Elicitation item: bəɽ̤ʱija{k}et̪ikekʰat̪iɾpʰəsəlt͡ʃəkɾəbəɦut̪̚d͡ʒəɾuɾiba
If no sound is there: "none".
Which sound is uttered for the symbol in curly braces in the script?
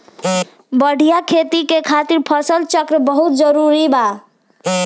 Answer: kʰ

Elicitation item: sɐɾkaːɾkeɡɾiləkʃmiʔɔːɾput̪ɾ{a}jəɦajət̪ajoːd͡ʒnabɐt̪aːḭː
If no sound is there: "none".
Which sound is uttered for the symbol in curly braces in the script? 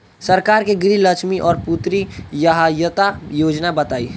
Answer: i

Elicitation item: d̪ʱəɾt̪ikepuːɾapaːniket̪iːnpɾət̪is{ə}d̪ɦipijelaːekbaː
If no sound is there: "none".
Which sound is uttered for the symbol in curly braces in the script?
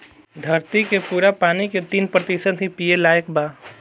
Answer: ə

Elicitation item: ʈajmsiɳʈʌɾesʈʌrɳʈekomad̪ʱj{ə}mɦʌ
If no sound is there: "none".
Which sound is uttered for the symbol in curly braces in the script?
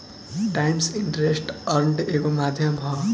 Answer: ʌ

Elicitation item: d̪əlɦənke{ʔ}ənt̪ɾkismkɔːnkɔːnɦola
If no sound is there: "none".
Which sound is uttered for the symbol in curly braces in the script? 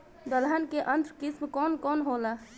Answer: ʔ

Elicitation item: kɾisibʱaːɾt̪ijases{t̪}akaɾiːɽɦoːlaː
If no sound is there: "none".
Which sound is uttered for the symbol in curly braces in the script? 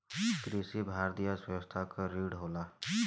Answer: t̪ʰ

